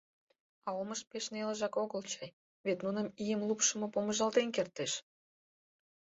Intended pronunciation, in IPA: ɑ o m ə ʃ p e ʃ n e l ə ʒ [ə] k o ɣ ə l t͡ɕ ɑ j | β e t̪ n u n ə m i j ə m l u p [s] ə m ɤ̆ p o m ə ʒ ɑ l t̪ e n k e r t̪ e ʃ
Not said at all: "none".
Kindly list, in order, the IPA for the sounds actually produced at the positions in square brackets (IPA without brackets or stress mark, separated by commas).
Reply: ɑ, ʃ